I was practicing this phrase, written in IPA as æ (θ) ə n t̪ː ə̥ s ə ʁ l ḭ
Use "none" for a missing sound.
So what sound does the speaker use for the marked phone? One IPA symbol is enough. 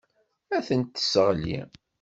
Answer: θ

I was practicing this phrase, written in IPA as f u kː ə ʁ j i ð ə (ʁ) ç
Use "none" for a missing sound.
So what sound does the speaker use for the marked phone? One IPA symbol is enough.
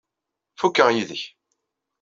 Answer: none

